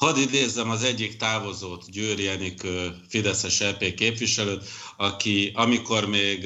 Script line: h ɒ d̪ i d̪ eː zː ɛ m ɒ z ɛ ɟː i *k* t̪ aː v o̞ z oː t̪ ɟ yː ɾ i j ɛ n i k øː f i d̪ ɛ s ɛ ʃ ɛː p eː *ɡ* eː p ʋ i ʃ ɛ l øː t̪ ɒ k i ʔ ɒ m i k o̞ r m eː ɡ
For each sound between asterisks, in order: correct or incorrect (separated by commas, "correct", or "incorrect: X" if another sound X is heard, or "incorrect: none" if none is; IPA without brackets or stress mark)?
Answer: correct, incorrect: k